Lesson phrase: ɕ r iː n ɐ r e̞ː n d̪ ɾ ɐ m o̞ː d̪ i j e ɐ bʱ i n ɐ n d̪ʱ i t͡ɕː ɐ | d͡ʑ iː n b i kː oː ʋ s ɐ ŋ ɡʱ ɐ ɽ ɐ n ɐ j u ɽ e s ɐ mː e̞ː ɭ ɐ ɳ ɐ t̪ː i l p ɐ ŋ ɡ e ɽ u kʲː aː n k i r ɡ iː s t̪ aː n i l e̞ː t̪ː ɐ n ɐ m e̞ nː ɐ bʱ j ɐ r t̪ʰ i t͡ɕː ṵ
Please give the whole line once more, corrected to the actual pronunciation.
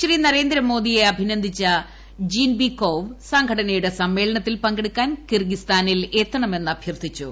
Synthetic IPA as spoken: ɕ r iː n ɐ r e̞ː n d̪ ɾ ɐ m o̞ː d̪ i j e ɐ bʱ i n ɐ n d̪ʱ i t͡ɕː ɐ | d͡ʑ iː n b i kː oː ʋ s ɐ ŋ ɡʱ ɐ ɽ ɐ n ɐ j u ɽ e s ɐ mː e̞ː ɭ ɐ ɳ ɐ t̪ː i l p ɐ ŋ ɡ e ɽ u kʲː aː n k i r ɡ i s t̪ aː n i l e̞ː t̪ː ɐ ɳ ɐ m e̞ nː ɐ bʱ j ɐ r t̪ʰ i t͡ɕː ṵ